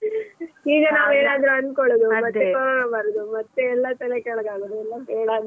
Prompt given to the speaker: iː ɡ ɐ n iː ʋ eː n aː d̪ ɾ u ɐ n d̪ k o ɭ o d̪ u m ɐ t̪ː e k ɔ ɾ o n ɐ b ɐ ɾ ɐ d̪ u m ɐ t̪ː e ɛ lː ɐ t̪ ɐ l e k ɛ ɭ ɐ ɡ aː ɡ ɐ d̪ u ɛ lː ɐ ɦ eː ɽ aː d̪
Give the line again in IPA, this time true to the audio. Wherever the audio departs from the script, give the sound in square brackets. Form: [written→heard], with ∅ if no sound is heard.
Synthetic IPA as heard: iː ɡ ɐ n [iː→aː] ʋ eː n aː d̪ ɾ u ɐ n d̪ k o ɭ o d̪ u m ɐ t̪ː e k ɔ ɾ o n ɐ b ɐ ɾ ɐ d̪ u m ɐ t̪ː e ɛ lː ɐ t̪ ɐ l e k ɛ ɭ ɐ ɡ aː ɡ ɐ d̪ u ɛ lː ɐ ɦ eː ɽ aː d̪